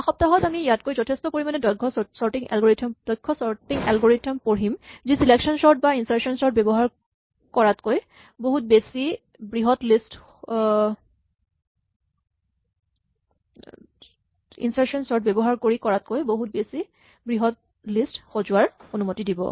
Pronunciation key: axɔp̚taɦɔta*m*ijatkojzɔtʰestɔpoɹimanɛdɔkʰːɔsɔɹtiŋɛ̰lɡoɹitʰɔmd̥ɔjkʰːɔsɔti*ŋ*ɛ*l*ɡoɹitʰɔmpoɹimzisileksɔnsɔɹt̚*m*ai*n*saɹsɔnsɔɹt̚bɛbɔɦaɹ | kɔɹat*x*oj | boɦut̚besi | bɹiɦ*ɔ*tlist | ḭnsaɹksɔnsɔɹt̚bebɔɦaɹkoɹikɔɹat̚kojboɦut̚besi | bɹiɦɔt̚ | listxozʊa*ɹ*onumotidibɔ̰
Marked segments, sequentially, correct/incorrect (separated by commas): correct, correct, correct, incorrect, correct, incorrect, correct, correct